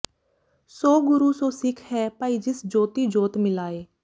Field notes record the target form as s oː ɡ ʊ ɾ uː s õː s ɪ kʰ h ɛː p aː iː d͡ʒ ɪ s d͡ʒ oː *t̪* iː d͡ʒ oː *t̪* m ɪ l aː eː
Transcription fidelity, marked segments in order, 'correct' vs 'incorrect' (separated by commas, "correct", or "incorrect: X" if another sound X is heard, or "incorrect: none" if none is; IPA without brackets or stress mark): correct, correct